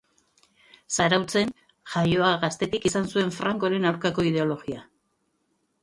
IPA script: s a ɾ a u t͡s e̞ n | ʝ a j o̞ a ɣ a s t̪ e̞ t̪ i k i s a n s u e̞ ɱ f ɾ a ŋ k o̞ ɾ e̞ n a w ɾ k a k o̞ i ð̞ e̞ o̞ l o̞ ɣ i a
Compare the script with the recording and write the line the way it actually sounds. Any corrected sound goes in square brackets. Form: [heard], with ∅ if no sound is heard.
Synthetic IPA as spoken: s a ɾ a [w] t͡s e̞ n | ʝ a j o̞ a ɣ a s t̪ e̞ t̪ i k i s a n s u e̞ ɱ f ɾ a ŋ k o̞ ɾ e̞ n a w ɾ k a k o̞ i ð̞ e̞ o̞ l o̞ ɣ i a